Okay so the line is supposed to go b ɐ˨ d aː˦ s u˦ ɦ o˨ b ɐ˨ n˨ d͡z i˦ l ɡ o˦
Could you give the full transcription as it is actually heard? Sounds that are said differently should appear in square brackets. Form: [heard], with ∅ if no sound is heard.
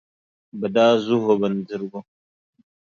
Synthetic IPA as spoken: b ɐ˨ d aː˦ [z] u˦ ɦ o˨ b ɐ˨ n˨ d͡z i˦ [ɾ] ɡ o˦